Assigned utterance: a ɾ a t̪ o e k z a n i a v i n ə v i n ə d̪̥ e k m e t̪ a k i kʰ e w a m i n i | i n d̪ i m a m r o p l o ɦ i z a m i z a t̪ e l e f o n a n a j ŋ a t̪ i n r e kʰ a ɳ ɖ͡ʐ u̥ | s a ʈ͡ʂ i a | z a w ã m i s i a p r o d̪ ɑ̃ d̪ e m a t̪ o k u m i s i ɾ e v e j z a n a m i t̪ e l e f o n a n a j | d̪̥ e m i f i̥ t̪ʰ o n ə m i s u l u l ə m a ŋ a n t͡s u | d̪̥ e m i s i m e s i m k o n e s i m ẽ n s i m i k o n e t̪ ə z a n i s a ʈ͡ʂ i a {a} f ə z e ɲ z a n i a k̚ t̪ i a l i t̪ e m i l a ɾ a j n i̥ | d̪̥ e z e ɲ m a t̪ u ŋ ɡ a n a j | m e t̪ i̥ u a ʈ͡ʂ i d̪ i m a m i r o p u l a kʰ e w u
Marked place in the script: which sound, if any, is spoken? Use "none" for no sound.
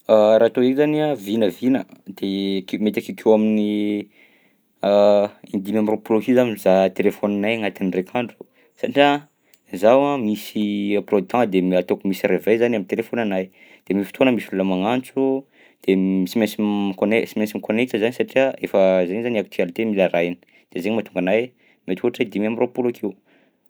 e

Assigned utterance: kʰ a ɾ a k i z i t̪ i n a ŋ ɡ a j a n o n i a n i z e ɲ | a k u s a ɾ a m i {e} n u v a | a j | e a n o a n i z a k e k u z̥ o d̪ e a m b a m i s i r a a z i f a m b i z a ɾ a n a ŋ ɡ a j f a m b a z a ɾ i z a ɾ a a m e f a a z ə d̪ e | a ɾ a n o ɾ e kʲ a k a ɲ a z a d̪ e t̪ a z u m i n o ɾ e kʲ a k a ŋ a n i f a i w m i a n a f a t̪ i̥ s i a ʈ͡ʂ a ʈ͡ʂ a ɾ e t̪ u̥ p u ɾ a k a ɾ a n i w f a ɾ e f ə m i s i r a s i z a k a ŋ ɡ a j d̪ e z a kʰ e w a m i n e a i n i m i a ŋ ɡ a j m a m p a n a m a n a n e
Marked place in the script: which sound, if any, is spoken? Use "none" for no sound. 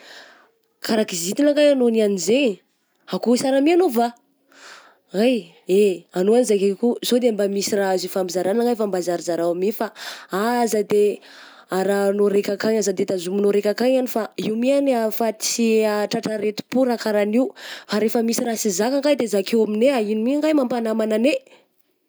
a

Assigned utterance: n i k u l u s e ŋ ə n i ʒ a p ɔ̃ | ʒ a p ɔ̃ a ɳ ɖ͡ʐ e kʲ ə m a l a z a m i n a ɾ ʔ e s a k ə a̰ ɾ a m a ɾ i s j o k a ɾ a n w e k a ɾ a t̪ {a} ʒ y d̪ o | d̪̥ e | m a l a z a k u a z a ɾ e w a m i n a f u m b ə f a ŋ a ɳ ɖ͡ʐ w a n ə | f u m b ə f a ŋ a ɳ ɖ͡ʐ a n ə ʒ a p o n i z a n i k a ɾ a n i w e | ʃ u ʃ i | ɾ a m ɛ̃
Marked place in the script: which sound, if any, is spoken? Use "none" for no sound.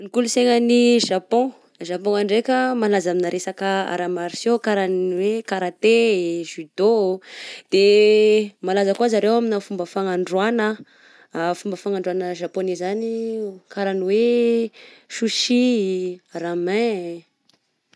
e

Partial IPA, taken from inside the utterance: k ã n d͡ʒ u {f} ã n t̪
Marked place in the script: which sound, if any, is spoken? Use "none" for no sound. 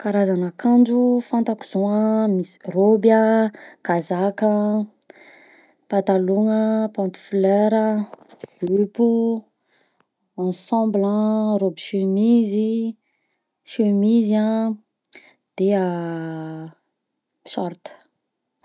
f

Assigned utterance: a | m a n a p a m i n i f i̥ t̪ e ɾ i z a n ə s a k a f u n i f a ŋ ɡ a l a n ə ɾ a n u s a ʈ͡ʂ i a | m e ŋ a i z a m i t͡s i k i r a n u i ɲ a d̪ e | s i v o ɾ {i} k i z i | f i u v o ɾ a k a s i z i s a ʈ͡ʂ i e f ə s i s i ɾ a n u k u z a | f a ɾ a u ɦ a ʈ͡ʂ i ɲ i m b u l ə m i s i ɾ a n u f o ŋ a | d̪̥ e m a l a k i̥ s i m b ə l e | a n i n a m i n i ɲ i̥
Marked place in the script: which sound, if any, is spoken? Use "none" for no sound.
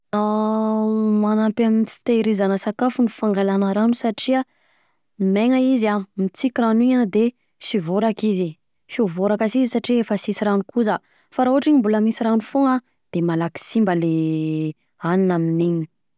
a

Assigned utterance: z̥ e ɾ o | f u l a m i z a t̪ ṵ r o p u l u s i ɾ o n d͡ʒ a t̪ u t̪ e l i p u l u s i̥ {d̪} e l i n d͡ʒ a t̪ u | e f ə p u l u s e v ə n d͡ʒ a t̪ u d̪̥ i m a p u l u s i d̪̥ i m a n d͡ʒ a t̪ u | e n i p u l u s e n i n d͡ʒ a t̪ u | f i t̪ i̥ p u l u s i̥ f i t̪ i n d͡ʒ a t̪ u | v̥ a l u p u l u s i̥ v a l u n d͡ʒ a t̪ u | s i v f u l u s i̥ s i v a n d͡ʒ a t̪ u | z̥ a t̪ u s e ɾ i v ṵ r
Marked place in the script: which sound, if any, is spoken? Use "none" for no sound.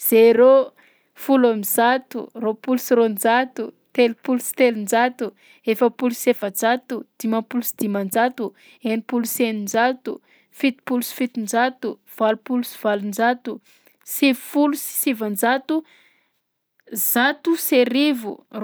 t̪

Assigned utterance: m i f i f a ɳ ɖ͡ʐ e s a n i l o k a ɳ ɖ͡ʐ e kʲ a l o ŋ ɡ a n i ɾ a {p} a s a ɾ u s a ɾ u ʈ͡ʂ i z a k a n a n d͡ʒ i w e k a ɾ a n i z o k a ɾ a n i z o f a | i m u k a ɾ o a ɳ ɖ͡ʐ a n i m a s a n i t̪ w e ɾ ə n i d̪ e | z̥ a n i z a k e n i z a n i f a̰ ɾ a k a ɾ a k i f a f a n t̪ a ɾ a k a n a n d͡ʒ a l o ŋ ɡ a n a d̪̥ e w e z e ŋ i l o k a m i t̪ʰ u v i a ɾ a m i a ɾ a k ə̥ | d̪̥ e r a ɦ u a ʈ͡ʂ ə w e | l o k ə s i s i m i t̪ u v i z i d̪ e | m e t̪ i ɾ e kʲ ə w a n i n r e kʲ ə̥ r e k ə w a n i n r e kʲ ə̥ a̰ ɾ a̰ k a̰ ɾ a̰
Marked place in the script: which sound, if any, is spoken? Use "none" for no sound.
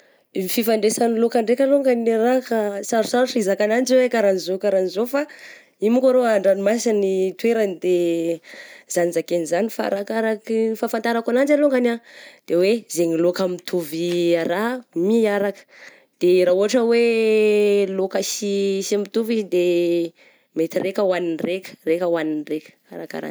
k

